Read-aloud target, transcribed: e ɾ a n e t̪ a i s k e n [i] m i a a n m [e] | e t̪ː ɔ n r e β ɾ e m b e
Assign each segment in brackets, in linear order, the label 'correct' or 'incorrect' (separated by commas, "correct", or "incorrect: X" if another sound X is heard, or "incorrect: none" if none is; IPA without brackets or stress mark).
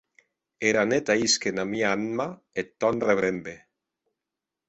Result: incorrect: a, incorrect: a